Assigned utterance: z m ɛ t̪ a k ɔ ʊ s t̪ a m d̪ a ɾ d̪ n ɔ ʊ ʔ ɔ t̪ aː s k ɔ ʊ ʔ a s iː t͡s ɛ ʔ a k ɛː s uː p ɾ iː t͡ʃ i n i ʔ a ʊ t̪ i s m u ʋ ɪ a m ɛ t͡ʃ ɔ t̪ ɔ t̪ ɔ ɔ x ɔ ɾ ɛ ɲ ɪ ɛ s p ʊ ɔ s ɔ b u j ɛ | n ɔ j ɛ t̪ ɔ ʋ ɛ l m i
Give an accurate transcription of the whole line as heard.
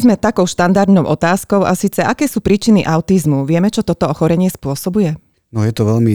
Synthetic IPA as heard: z m ɛ t̪ a k ɔ ʊ ʃ t̪ a n d̪ a ɾ d̪ n ɔ ʊ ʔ ɔ t̪ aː s k ɔ ʊ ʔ a s iː t͡s ɛ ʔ a k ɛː s uː p ɾ iː t͡ʃ i n i ʔ a ʊ t̪ i z m u ʋ ɪ ɛ m ɛ t͡ʃ ɔ t̪ ɔ t̪ ɔ ɔ x ɔ ɾ ɛ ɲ ɪ ɛ s p ʊ ɔ s ɔ b u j ɛ | n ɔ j ɛ t̪ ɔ ʋ ɛ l m i